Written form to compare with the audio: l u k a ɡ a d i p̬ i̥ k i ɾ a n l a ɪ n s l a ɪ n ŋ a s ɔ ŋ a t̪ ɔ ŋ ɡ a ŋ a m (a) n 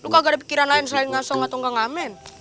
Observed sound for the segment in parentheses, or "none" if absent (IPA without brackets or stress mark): ɛ